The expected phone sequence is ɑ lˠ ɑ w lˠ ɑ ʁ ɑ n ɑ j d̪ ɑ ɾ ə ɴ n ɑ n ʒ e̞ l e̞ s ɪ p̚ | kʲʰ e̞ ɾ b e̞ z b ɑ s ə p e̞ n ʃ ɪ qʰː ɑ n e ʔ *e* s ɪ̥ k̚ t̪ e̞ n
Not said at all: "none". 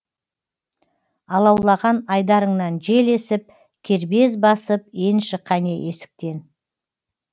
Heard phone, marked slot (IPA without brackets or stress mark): e